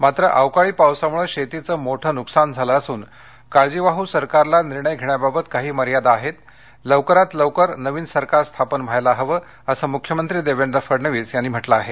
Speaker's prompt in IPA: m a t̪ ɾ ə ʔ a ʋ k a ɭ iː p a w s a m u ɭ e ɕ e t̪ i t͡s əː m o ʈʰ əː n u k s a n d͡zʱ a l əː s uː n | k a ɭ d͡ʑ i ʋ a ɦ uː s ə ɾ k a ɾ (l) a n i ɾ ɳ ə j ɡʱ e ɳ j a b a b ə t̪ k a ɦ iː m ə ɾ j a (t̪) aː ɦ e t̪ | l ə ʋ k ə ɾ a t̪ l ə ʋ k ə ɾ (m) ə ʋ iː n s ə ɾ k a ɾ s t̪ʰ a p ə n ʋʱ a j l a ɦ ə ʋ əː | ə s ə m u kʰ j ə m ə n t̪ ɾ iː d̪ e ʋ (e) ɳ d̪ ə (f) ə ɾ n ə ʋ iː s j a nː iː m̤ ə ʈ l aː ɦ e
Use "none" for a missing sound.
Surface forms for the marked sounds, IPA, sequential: l, d̪, n, e, f

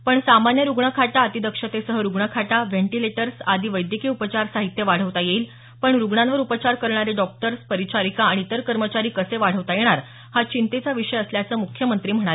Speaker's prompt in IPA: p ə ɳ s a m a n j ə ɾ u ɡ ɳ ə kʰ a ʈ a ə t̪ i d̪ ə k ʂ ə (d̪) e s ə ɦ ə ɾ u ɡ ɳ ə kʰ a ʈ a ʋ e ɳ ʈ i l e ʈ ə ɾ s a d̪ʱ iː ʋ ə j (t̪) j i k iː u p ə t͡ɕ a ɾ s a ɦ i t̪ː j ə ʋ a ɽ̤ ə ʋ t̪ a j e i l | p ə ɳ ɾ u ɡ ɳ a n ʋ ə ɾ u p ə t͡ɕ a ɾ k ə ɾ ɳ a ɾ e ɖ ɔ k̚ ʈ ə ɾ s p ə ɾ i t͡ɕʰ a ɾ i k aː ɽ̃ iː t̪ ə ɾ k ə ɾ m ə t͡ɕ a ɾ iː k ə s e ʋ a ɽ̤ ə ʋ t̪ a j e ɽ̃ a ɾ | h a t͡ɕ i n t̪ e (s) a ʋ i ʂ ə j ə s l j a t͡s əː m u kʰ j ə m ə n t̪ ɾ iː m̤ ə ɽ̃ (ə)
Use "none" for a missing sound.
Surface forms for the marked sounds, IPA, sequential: t̪, d̪, t͡s, a

